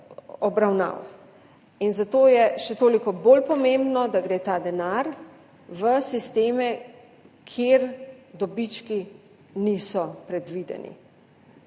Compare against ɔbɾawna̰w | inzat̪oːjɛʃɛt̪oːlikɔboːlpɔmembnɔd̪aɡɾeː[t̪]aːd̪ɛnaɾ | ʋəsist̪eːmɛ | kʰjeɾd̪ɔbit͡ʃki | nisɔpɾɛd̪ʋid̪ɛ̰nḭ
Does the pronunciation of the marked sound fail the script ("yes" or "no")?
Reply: no